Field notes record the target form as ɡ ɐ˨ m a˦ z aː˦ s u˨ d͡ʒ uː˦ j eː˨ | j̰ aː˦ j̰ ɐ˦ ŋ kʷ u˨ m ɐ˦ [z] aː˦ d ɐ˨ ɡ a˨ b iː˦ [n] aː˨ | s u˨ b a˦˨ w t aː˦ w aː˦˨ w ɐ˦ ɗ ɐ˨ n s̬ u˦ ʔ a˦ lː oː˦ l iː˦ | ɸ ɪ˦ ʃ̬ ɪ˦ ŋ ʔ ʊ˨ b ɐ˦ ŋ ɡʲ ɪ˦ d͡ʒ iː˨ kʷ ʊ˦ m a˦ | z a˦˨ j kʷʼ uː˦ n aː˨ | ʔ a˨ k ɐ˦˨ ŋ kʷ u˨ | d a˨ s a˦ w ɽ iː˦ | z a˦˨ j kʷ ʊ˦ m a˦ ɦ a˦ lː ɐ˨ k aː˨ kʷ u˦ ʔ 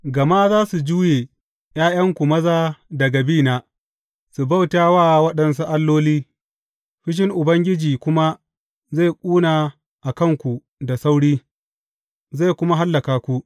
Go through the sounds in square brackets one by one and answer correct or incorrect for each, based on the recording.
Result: correct, correct

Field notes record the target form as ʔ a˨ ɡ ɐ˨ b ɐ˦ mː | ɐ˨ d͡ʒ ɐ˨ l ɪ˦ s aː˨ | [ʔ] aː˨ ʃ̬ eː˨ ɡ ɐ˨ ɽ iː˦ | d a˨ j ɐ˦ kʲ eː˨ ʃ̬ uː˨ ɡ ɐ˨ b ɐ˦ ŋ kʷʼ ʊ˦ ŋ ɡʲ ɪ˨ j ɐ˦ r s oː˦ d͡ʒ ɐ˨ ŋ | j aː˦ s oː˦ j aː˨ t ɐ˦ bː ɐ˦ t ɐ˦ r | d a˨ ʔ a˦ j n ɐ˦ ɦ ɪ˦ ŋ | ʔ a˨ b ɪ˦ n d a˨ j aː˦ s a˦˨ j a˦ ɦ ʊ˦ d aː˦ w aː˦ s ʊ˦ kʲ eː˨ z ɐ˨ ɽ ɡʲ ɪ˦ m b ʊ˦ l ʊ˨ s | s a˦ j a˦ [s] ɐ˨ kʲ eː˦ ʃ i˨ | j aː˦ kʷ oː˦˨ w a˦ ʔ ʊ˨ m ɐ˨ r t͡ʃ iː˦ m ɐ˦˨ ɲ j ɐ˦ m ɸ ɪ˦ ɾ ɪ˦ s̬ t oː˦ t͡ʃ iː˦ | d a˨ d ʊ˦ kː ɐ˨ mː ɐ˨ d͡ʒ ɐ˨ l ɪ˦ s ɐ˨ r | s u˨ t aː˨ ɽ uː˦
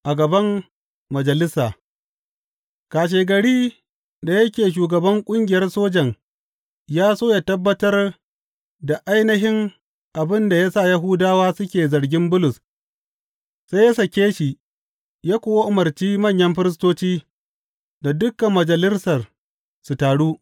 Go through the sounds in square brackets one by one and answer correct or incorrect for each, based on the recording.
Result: incorrect: k, correct

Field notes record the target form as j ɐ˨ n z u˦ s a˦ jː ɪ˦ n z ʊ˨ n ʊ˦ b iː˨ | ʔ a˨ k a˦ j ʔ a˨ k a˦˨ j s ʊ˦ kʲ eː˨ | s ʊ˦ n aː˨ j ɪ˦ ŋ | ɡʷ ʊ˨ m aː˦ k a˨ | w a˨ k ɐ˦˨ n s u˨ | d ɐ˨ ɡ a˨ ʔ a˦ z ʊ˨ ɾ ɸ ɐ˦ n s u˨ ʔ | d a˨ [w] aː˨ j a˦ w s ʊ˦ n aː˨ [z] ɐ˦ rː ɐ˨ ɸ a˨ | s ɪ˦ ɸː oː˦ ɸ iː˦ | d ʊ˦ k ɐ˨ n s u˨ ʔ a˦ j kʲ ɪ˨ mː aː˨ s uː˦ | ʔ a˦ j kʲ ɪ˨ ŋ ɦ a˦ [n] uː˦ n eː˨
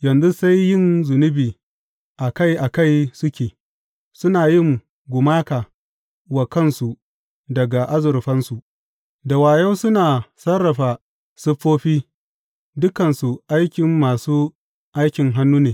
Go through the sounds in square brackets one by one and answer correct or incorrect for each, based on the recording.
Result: correct, incorrect: s, incorrect: nː

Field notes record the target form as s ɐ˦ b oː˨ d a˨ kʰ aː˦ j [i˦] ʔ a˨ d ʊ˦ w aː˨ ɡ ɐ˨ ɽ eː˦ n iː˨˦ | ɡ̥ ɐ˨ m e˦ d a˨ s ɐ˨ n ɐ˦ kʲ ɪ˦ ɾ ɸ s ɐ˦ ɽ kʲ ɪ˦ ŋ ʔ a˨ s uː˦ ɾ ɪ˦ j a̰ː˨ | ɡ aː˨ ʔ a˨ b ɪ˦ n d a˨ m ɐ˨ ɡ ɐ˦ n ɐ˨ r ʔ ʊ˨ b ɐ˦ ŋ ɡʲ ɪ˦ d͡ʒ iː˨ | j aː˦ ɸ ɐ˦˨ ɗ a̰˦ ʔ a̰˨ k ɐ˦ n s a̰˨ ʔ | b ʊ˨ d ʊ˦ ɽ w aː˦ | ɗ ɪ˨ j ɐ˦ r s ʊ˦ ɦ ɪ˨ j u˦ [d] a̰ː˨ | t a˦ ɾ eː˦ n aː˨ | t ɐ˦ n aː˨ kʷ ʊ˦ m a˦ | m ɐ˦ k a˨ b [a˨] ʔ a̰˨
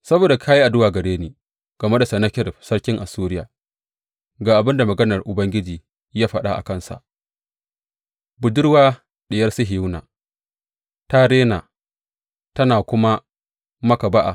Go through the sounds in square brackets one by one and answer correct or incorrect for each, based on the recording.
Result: correct, incorrect: n, incorrect: a˦

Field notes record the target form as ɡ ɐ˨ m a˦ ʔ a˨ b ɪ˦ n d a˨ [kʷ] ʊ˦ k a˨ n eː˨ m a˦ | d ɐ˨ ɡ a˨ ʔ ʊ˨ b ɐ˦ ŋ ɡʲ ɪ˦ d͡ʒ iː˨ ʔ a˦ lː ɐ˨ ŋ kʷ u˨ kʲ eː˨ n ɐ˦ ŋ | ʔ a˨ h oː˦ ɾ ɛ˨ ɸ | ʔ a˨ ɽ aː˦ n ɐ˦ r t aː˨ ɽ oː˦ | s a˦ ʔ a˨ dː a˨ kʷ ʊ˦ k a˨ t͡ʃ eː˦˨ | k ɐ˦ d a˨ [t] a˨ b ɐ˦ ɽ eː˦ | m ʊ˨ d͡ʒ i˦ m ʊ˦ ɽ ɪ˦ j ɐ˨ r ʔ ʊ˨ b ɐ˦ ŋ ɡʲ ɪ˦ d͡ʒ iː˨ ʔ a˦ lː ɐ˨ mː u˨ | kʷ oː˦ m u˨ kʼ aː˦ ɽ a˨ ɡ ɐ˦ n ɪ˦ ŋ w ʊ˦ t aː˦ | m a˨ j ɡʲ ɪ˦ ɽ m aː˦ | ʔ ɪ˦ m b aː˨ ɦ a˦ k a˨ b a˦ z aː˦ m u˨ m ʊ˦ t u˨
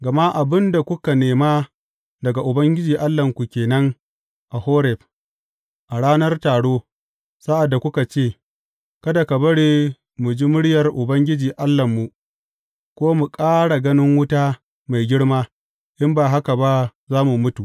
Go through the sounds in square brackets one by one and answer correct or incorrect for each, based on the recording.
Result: correct, incorrect: k

